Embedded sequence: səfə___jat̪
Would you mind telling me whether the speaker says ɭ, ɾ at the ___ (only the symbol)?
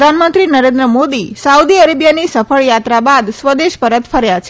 ɭ